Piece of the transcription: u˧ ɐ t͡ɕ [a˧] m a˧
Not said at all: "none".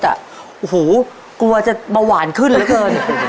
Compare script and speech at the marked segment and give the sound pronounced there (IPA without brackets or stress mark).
a˨˩